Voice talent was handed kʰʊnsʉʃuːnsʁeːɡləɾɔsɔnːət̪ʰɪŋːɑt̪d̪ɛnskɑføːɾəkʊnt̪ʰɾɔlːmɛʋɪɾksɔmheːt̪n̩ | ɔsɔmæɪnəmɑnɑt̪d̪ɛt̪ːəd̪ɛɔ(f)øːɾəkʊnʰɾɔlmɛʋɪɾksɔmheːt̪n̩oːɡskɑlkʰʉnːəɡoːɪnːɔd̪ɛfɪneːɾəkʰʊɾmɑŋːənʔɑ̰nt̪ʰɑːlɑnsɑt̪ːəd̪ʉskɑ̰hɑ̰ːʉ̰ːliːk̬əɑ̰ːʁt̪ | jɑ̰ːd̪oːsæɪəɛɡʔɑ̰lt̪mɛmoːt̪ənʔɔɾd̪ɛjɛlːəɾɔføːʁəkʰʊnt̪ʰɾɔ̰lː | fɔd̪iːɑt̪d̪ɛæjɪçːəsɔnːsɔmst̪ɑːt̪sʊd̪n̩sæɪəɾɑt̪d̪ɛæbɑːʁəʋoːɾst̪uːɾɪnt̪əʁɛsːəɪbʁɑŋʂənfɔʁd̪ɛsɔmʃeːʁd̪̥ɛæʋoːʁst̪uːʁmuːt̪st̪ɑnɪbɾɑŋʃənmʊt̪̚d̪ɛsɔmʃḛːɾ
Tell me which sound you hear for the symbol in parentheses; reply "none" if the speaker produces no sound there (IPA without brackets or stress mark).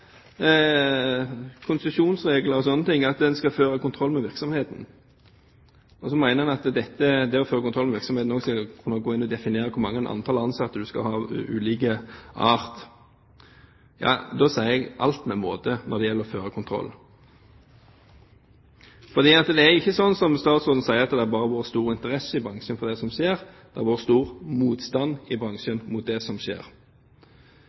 f